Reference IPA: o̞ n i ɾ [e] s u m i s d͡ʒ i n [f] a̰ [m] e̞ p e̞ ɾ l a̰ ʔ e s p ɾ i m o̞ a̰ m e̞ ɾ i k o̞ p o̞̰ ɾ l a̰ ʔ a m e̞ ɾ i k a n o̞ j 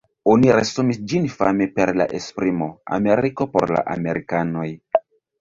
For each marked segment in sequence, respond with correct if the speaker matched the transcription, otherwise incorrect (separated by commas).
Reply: correct, correct, correct